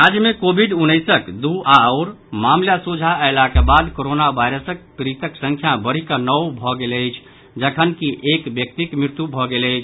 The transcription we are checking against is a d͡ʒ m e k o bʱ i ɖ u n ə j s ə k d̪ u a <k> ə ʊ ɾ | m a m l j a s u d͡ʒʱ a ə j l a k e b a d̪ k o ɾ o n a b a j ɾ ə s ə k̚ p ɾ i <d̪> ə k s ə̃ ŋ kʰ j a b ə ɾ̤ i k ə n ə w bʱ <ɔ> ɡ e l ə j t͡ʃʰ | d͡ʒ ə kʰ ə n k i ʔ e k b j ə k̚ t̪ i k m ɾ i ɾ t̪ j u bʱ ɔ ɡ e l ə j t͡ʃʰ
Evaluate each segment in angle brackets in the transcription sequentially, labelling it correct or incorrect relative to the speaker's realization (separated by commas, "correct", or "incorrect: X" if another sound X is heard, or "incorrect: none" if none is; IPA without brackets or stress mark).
incorrect: none, incorrect: t̪, correct